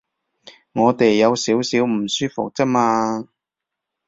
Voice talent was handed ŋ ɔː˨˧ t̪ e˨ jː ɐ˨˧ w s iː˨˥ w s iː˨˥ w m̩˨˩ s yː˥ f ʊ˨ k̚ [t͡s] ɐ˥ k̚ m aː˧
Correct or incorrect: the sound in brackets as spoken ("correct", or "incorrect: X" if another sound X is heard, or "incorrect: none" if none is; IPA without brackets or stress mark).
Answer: correct